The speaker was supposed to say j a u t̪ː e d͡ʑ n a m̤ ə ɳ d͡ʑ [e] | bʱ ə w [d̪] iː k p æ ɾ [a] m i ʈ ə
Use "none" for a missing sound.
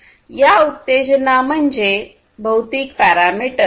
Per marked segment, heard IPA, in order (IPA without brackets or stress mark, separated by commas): e, t̪, a